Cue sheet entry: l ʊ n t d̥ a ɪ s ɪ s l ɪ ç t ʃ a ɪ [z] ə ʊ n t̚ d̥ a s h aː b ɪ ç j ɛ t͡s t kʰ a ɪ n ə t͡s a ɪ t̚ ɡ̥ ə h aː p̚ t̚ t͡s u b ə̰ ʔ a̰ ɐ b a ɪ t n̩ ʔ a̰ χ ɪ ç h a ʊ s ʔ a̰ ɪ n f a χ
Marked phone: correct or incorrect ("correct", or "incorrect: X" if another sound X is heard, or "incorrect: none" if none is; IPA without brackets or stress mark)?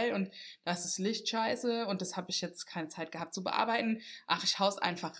incorrect: s